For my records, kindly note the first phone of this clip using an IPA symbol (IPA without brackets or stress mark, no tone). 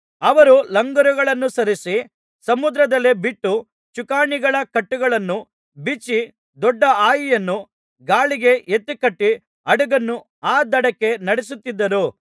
ɐ